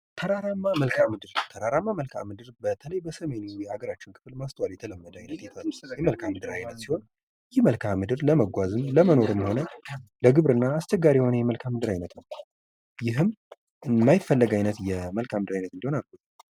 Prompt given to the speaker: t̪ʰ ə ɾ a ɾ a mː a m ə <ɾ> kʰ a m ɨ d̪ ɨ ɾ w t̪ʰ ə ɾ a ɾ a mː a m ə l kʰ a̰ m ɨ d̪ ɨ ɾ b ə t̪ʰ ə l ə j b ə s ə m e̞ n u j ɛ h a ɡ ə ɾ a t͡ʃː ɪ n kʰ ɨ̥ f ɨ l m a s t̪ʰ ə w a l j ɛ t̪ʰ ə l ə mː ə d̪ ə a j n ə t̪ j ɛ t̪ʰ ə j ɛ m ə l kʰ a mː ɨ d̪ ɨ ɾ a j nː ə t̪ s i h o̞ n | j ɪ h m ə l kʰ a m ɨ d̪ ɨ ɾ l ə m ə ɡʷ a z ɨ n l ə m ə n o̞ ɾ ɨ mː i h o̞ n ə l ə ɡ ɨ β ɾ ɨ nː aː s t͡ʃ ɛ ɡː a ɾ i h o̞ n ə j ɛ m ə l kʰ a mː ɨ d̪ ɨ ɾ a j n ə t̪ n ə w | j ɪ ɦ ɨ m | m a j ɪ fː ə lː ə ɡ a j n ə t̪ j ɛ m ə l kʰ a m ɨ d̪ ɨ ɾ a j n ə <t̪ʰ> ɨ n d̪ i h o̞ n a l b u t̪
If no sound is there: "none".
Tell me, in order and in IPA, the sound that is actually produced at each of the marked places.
l, t̪

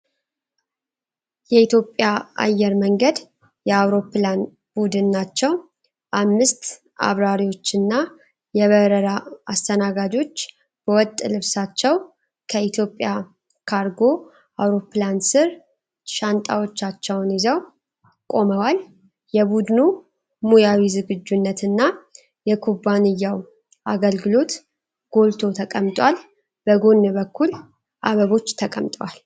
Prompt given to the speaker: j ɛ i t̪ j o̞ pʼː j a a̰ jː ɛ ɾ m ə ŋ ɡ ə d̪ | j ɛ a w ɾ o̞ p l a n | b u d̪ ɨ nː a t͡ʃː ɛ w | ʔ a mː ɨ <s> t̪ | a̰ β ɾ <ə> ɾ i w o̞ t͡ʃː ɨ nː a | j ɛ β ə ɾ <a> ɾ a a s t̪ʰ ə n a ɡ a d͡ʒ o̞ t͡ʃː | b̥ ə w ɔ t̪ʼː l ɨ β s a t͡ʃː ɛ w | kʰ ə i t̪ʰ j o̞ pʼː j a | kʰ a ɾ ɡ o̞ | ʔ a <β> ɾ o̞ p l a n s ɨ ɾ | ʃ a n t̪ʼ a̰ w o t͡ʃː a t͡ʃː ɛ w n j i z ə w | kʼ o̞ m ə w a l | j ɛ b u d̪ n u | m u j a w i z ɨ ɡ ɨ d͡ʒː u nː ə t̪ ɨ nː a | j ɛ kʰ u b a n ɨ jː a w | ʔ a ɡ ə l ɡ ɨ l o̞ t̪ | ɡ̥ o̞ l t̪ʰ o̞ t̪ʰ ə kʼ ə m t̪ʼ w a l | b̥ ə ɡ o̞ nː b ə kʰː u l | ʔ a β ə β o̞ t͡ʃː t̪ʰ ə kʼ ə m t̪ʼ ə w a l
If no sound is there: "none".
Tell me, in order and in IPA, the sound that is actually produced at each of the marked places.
s, a, ə, w

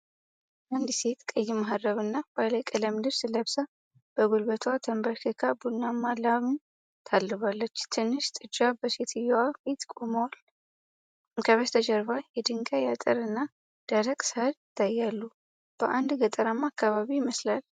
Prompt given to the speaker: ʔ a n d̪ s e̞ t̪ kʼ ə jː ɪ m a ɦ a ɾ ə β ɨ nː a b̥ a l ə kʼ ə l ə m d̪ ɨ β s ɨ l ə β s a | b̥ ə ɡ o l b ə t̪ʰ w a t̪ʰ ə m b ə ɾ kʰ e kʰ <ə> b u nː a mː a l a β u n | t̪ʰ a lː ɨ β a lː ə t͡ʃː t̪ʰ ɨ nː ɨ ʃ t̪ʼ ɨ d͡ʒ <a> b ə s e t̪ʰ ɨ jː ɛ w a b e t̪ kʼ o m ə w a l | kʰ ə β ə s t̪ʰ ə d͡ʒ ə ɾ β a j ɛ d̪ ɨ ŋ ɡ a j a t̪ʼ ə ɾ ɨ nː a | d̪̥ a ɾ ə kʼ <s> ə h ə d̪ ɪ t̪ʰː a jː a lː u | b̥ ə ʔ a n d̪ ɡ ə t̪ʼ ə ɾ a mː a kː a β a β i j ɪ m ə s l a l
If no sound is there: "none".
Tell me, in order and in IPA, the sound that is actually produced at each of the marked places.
a, a, s

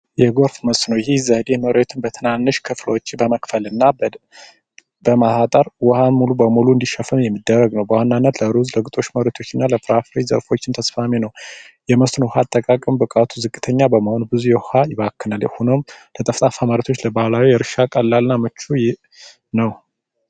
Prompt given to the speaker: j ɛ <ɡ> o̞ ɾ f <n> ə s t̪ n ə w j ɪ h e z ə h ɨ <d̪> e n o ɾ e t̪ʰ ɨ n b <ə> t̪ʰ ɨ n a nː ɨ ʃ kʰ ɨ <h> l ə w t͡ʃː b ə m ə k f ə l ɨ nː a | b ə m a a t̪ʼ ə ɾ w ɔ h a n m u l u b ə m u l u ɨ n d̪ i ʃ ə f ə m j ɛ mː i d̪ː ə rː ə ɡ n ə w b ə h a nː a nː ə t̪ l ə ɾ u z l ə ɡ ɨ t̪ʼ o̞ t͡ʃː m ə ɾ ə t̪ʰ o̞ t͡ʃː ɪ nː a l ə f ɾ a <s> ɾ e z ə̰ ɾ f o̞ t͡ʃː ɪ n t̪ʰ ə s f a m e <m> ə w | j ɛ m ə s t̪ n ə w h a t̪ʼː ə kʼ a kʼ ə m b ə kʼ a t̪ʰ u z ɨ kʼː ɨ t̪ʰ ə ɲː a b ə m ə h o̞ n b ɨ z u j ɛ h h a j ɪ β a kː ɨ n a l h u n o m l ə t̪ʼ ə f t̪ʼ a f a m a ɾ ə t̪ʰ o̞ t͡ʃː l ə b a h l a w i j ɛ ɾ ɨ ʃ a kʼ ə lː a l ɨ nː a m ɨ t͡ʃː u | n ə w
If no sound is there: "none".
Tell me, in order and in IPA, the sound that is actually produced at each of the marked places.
ɡ, m, d̪, ə, f, f, n

